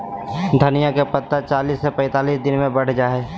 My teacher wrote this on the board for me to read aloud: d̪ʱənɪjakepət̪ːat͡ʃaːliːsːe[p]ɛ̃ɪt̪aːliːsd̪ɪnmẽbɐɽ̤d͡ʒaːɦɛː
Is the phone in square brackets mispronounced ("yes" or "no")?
no